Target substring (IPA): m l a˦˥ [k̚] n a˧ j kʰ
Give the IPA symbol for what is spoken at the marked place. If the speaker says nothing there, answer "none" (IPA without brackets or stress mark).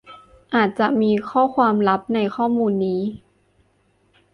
p̚